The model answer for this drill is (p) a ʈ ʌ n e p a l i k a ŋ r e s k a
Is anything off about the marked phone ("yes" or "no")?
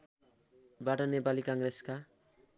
yes